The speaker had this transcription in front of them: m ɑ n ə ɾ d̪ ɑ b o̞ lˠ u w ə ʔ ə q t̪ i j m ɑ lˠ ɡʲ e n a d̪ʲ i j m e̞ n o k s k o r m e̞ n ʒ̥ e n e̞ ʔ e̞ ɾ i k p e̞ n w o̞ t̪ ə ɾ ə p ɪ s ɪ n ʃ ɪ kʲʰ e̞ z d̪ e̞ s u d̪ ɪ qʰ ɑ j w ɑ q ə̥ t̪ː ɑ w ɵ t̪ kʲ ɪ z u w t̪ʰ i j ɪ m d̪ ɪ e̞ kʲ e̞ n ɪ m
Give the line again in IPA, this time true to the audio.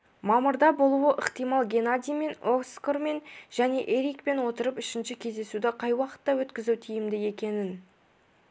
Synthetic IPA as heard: m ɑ m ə ɾ d̪ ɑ b o̞ lˠ u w ə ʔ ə q t̪ i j m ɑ lˠ ɡʲ e n a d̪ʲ i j m e̞ n o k s k o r m e̞ n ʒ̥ æ n e̞ ʔ e̞ ɾ i k p e̞ n w o̞ t̪ ə ɾ ə p ɪ ʃ ɪ n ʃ ɪ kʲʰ e̞ z d̪ e̞ s u d̪ ɪ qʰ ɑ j w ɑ q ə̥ t̪ː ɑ w ɵ t̪ kʲ ɪ z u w t̪ʰ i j ɪ m d̪ ɪ e̞ kʲ e̞ n ɪ n